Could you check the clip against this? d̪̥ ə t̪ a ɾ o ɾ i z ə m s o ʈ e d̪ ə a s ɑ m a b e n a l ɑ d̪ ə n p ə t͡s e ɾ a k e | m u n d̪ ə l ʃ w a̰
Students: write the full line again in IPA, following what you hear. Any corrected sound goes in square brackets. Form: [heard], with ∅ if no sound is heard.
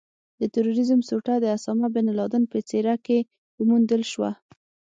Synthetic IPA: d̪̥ ə t̪ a ɾ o ɾ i z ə m s o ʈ [a] d̪ ə a s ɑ m a b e n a l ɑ d̪ ə n p ə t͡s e ɾ a k e | m u n d̪ ə l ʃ w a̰